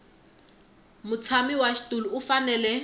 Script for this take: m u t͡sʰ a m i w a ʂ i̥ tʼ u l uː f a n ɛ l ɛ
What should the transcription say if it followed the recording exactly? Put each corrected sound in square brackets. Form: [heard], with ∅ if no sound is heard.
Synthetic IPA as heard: m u t͡sʰ a m i w a [ʃ] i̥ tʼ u l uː f a n ɛ l ɛ

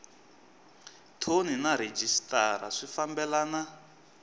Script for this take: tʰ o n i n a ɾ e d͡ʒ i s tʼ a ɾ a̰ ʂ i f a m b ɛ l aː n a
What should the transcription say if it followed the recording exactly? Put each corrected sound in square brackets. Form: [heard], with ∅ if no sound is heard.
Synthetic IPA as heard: tʰ o n i n a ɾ e d͡ʒ i s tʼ a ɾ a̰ ʂ i f a m b ɛ l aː n a

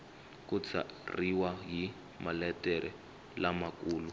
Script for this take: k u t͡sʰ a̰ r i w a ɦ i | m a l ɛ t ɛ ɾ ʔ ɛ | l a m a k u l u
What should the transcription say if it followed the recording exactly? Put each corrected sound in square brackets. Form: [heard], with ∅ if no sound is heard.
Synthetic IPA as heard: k u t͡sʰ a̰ r i w a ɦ i | m a l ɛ t ɛ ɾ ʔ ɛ | l a m a k [uː] l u

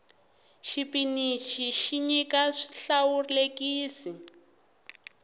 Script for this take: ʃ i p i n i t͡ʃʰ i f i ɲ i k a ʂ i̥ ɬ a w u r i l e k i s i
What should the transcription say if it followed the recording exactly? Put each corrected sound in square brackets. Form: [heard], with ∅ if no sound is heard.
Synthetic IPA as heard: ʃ i p i n i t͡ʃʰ i [ʃ] i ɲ i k a ʂ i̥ ɬ a w u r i l e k [iː] s i

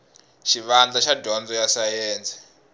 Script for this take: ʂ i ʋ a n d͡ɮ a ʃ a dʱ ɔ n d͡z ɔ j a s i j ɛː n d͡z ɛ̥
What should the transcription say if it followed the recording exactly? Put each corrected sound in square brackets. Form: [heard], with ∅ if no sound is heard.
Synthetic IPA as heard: [ʃ] i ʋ a n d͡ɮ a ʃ a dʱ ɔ n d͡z ɔ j a s [a] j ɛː n d͡z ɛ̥

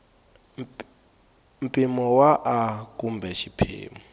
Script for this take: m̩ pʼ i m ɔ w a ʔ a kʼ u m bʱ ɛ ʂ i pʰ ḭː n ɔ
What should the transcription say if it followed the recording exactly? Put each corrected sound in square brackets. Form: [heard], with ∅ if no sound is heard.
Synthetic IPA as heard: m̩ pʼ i m ɔ w a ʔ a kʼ u m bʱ ɛ [ʃ] i pʰ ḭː [m] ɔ

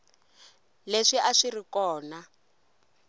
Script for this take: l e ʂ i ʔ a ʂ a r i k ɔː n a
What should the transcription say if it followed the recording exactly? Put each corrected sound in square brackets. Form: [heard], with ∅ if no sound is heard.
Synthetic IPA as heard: l e ʂ i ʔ a ʂ [i] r i k ɔː n a

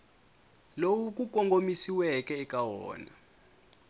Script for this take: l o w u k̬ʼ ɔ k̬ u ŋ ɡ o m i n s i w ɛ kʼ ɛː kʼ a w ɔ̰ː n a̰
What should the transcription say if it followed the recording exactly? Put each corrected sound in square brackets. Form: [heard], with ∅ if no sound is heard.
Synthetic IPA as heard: l o w u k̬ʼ [u] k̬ [ɔ] ŋ ɡ o m i [∅] s i w ɛ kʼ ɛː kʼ a w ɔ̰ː n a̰

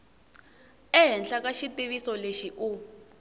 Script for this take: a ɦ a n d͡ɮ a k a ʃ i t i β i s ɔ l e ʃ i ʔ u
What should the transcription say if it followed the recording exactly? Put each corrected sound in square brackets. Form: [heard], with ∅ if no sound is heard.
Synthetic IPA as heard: [ɛ] ɦ [ɛ] n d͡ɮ a k a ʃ i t i β i s ɔ l e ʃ i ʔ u

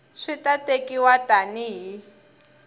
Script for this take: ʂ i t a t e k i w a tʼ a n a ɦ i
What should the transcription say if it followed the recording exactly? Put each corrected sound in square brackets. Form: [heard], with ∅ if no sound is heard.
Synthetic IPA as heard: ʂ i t a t e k i w a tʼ a n [i] ɦ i

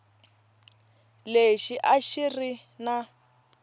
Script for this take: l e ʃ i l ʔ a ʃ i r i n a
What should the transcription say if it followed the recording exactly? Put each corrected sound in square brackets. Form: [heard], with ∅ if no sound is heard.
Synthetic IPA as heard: l e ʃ i [∅] ʔ a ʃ i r i n a

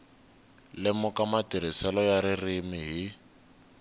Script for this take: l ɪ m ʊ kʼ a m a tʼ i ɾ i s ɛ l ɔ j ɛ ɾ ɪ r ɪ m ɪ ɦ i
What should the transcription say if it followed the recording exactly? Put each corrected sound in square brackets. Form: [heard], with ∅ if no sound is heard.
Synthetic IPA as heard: l ɪ m ʊ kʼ a m a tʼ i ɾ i s ɛ l ɔ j [a] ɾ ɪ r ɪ m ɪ ɦ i

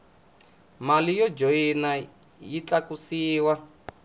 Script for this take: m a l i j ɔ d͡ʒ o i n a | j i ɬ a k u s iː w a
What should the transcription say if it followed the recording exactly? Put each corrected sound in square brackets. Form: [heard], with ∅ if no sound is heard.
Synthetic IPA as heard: m a l i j ɔ d͡ʒ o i n a | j i [t͡ɬ] a k u s iː w a

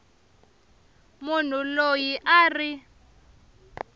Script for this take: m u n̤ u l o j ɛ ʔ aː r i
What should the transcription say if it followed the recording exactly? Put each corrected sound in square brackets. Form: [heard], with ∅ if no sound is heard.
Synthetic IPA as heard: m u n̤ u l o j [i] ʔ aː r i

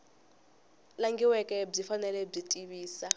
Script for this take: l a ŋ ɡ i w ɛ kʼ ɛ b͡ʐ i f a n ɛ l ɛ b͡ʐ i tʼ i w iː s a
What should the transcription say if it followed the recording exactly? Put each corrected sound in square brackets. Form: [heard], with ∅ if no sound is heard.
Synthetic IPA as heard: l a ŋ ɡ i w ɛ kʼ ɛ b͡ʐ i f a n ɛ l ɛ b͡ʐ i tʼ i [β] iː s a

